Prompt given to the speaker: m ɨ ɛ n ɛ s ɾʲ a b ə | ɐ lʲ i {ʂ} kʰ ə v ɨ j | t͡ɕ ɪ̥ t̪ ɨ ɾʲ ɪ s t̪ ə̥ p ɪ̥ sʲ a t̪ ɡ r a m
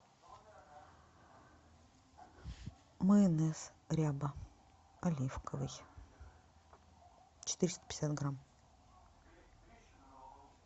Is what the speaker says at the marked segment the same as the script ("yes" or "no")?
no